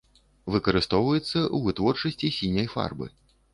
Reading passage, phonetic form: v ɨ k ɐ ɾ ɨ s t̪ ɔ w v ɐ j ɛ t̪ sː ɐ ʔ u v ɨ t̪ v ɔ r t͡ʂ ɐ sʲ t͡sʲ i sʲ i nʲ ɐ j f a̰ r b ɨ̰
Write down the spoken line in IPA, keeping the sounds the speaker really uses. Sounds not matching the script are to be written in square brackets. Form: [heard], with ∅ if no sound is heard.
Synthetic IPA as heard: v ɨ k ɐ ɾ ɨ s t̪ ɔ w v ɐ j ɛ t̪ sː ɐ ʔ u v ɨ t̪ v ɔ r t͡ʂ ɐ sʲ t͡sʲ i sʲ i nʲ ɐ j f a̰ r b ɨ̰